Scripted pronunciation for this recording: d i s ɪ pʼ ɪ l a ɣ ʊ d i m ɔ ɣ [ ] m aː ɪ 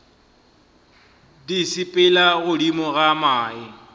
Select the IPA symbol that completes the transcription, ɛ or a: a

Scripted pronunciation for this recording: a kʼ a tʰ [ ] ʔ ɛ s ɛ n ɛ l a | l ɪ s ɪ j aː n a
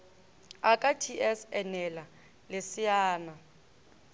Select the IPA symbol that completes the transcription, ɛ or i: i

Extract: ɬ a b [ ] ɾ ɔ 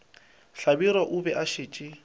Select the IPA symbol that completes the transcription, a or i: i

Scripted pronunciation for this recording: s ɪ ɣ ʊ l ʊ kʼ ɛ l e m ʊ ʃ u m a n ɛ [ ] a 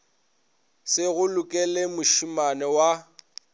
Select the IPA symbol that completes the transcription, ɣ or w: w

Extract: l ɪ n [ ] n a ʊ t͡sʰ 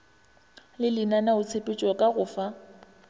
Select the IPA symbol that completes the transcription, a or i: a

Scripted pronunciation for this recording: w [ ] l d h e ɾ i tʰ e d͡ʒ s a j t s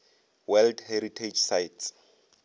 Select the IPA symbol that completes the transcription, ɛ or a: ɛ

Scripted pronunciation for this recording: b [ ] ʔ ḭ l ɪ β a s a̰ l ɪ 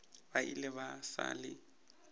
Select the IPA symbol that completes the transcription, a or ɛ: a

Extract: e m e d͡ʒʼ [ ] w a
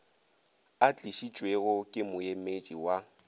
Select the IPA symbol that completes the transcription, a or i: i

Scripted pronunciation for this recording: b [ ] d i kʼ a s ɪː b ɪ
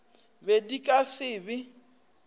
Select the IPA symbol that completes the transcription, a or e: e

